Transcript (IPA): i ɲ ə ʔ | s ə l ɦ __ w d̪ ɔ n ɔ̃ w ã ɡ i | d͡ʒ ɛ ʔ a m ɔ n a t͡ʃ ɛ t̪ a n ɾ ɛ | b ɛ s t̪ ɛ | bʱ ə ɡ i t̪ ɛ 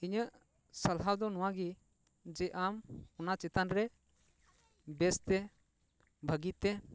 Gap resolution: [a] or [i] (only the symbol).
a